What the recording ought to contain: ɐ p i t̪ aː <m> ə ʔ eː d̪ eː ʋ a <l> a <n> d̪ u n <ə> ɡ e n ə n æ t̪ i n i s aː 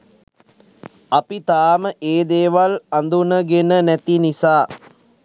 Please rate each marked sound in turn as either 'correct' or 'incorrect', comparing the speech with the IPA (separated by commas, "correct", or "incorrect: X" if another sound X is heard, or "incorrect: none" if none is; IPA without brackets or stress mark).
correct, correct, correct, correct